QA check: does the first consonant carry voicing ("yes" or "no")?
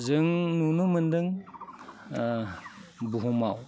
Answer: yes